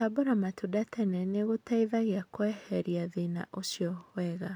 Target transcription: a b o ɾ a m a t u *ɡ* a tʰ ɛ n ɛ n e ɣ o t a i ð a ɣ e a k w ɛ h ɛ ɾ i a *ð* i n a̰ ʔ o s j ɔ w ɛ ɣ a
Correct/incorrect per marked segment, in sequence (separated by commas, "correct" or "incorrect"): incorrect, correct